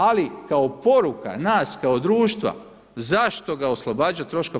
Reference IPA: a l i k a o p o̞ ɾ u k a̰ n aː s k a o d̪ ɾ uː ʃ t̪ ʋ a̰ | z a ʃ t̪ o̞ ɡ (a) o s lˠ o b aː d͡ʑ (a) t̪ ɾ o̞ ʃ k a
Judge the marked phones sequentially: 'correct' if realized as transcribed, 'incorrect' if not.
correct, correct

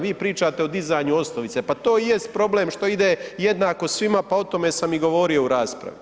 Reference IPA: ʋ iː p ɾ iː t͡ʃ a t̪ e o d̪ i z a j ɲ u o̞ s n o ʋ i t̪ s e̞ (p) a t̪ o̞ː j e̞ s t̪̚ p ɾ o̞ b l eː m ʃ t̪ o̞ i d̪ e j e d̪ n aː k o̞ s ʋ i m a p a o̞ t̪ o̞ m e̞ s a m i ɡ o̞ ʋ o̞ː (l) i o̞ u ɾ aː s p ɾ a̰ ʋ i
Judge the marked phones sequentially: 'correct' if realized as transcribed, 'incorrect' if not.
correct, incorrect: ɾ

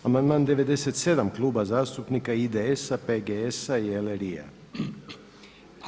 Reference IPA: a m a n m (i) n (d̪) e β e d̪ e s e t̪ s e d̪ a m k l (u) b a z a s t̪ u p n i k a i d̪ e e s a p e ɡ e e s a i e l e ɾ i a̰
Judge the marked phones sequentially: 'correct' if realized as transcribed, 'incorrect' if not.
incorrect: a, correct, correct

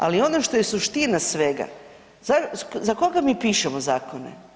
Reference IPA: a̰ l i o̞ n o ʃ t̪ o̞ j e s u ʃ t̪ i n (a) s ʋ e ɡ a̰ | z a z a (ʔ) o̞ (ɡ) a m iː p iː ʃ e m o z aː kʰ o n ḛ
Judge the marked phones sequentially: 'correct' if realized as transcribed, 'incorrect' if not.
correct, incorrect: k, correct

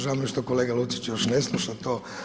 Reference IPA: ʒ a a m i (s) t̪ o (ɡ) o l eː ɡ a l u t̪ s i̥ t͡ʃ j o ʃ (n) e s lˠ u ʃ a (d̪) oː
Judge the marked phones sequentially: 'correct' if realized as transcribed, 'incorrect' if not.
incorrect: ʃ, incorrect: k, correct, incorrect: t̪

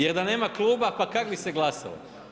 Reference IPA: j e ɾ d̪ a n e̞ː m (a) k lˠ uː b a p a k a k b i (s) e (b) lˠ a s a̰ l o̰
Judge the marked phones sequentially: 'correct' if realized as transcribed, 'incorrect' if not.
correct, correct, incorrect: ɡ

